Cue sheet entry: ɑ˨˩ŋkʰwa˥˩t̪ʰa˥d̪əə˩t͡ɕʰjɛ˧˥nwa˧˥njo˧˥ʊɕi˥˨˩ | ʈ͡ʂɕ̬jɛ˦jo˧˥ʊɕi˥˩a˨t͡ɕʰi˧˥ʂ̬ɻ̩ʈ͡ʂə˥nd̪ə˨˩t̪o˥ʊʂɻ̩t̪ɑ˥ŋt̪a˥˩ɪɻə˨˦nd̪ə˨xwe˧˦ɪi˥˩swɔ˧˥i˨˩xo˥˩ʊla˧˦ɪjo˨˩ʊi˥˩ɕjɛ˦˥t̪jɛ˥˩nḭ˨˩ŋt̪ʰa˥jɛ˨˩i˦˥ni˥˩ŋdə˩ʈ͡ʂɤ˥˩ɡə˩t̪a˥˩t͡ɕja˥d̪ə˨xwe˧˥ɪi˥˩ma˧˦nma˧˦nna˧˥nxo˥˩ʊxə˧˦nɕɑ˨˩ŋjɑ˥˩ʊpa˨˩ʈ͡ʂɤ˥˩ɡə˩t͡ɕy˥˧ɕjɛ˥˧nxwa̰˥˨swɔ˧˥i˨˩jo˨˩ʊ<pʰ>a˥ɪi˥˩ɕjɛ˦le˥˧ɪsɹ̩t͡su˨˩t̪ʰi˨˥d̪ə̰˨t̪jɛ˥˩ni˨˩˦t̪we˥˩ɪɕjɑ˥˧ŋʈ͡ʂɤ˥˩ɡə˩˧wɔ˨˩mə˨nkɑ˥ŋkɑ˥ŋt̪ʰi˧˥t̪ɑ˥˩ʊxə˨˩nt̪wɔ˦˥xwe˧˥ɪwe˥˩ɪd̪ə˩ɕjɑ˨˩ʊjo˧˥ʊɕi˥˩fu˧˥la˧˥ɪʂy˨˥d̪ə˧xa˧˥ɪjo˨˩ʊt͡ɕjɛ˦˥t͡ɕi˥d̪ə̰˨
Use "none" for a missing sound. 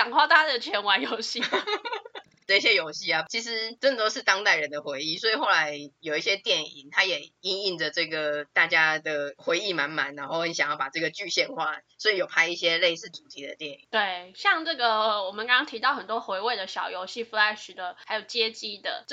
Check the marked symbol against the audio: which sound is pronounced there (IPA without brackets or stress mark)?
pʰ